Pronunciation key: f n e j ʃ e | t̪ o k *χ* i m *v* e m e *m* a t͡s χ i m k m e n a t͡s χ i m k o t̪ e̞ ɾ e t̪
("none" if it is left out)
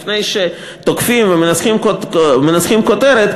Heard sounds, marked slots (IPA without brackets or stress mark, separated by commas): f, v, n